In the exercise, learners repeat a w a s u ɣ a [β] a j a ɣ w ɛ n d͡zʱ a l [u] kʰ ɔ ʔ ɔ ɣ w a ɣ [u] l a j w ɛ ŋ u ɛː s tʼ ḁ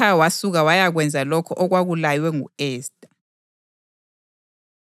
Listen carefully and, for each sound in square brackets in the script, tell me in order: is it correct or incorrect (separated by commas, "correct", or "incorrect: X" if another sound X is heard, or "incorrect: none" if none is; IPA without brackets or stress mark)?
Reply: incorrect: w, incorrect: ɔ, correct